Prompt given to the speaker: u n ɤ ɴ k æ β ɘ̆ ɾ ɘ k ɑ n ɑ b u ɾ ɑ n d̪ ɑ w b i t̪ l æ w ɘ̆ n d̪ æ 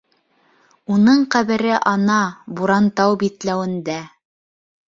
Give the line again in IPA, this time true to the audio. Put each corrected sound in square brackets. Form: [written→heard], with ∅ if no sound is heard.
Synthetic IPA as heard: u n ɤ ɴ [k→q] æ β ɘ̆ ɾ ɘ [k→ʔ] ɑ n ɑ b u ɾ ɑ n [d̪→t̪] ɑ w b i t̪ l æ w ɘ̆ n d̪ æ